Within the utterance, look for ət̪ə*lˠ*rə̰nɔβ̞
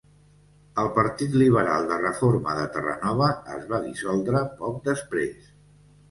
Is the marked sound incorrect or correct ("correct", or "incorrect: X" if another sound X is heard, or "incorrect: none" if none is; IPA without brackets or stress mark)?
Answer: incorrect: none